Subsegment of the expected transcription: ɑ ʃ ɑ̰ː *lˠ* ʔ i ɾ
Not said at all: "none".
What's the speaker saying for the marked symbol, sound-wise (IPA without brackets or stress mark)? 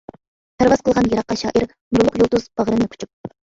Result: none